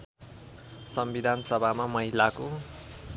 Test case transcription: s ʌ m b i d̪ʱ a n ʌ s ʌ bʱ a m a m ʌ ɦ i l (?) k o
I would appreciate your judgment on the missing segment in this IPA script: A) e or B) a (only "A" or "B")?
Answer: B